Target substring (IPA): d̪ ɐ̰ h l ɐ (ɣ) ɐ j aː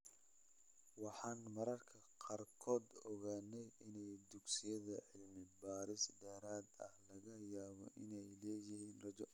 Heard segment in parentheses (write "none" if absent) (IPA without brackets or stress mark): ɣ